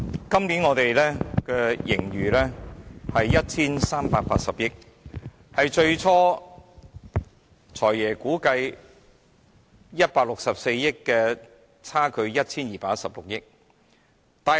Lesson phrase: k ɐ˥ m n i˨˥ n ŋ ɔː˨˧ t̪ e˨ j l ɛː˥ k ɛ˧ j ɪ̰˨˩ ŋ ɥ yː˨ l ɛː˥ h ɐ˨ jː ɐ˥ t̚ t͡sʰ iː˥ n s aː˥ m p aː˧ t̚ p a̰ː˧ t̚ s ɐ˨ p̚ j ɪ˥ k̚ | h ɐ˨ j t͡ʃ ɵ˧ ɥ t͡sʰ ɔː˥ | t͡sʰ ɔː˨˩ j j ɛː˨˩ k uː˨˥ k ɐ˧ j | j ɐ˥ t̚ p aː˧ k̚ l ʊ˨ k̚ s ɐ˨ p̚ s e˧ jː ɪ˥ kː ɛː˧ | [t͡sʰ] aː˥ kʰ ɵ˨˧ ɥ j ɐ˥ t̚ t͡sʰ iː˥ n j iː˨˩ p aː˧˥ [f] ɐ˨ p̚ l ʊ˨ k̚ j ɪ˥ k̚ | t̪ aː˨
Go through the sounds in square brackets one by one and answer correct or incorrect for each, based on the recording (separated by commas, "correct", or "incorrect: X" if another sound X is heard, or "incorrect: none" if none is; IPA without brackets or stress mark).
correct, incorrect: s